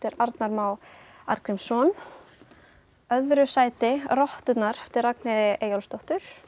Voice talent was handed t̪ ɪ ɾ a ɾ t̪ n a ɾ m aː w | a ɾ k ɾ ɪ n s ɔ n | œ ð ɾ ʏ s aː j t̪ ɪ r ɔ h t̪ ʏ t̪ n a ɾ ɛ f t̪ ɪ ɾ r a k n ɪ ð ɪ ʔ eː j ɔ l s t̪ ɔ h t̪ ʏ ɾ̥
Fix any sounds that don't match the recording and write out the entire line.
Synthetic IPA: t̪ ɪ ɾ a ɾ t̪ n a ɾ m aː w | a ɾ k ɾ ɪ m s ɔ n | œ ð ɾ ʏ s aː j t̪ ɪ r ɔ h t̪ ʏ t̪ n a ɾ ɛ f t̪ ɪ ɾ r a k n ɪ ð ɪ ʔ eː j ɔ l s t̪ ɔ h t̪ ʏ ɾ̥